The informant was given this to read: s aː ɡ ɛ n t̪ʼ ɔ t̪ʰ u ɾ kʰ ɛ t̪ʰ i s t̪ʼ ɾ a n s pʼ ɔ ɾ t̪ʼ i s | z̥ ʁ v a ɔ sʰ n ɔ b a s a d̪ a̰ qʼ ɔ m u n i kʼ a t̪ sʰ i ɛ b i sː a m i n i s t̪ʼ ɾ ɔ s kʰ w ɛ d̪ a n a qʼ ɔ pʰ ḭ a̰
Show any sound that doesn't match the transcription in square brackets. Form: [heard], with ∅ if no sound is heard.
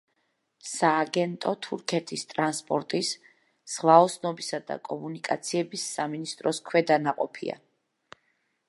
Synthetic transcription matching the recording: s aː ɡ ɛ n t̪ʼ ɔ t̪ʰ u ɾ kʰ ɛ t̪ʰ i s t̪ʼ ɾ a n s pʼ ɔ ɾ t̪ʼ i s | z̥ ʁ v a ɔ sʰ n ɔ b [i] s a d̪ a̰ [kʼ] ɔ m u n i kʼ a t̪ sʰ i ɛ b i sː a m i n i s t̪ʼ ɾ ɔ s kʰ w ɛ d̪ a n a qʼ ɔ pʰ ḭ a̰